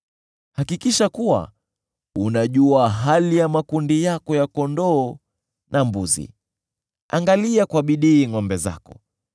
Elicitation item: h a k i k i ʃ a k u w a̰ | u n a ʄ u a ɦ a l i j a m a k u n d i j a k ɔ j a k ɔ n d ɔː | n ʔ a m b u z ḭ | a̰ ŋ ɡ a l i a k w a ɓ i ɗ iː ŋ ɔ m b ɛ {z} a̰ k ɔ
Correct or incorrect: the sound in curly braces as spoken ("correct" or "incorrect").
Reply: correct